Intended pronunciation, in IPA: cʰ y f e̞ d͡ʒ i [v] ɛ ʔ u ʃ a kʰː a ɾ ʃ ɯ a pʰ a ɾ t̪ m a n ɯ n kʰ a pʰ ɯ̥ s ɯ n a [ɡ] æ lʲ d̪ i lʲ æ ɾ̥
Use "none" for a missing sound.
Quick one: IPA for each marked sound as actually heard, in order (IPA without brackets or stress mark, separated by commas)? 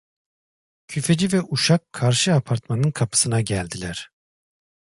v, ɟ